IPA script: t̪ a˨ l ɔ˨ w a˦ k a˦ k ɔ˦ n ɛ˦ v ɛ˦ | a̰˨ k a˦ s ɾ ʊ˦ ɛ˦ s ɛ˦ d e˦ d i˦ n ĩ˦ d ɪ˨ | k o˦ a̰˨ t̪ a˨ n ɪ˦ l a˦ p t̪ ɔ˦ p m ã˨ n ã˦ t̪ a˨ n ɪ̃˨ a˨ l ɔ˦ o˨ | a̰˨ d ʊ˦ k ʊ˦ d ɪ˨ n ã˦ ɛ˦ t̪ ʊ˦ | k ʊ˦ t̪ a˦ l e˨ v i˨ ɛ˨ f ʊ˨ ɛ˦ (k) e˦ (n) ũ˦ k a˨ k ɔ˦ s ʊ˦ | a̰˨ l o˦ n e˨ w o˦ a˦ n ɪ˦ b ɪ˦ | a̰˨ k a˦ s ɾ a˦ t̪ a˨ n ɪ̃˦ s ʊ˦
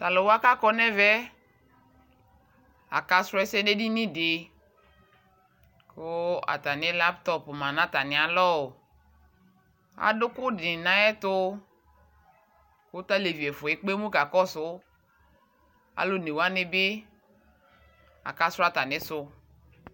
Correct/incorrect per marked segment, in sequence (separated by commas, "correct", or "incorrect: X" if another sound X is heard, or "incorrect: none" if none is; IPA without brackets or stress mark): incorrect: k͡p, incorrect: m